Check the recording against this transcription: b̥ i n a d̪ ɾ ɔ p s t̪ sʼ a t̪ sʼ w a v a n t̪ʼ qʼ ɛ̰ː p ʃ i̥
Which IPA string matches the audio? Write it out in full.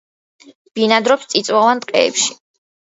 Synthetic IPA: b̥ i n a d̪ ɾ ɔ p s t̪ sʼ i t̪ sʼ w a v a n t̪ʼ qʼ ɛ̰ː p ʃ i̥